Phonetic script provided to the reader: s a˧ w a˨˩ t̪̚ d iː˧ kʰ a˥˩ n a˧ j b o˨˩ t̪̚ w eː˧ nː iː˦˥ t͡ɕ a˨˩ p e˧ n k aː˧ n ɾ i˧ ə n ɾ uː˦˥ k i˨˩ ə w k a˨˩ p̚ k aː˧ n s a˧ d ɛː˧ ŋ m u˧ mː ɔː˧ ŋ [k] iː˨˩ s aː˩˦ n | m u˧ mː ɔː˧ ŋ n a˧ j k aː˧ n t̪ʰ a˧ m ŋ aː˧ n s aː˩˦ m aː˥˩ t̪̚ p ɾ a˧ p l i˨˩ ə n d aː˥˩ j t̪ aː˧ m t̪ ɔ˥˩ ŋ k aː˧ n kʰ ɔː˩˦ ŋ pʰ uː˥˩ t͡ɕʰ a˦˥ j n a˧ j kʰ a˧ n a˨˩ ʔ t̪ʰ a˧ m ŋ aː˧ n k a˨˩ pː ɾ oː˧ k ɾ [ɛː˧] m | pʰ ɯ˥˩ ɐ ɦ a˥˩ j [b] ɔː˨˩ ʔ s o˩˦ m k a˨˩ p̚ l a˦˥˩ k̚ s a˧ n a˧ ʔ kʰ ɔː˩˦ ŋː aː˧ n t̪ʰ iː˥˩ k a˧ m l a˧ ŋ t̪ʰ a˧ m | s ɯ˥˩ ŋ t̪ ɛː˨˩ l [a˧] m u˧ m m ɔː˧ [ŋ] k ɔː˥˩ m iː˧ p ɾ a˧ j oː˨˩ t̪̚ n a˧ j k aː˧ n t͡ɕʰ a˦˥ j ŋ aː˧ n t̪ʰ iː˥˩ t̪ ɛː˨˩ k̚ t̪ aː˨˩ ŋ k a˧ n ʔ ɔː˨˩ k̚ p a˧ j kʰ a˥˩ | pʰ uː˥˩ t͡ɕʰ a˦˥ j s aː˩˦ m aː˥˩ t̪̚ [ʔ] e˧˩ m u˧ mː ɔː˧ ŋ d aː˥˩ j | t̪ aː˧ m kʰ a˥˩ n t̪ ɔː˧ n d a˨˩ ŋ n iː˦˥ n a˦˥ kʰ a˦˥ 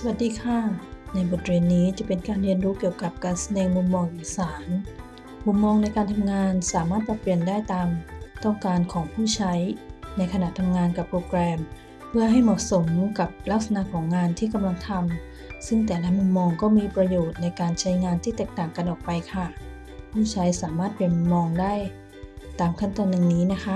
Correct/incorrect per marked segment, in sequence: incorrect: ʔ, correct, incorrect: m, incorrect: a˦˥, correct, incorrect: p

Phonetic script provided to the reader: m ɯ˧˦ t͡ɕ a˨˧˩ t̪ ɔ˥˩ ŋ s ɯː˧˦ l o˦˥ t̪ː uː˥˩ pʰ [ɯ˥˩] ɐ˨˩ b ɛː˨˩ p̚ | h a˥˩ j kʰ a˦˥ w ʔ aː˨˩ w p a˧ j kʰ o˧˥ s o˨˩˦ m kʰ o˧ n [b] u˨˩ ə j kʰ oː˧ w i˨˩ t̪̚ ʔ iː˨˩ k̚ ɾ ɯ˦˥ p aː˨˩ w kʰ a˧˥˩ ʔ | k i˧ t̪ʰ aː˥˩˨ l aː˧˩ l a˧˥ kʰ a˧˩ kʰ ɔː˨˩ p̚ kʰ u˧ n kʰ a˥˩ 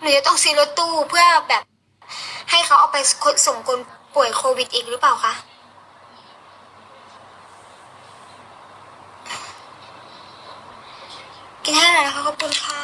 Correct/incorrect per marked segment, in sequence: correct, incorrect: p

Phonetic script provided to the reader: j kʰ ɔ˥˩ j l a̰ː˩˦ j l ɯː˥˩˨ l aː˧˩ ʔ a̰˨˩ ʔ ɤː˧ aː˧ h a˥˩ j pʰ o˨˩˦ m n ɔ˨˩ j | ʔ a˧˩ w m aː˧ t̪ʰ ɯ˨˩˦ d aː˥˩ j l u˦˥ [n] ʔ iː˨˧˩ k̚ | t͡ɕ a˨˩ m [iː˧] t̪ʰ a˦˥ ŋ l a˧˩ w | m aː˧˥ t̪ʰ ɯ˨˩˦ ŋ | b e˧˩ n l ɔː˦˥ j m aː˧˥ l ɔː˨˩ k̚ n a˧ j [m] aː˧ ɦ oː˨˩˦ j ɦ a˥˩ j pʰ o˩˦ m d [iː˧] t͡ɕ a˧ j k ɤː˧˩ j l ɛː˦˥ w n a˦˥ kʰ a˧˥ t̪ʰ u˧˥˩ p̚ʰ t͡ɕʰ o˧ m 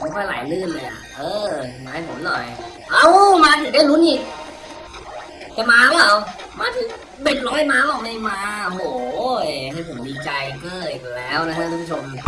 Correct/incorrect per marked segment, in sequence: correct, incorrect: aː˧, correct, correct

